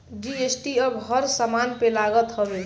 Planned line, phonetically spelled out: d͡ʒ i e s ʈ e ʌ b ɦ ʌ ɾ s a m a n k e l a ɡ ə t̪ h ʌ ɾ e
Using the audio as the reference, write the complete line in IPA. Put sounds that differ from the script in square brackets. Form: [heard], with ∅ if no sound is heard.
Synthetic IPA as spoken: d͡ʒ i e s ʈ [i] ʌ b ɦ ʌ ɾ s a m a n [p] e l a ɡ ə t̪ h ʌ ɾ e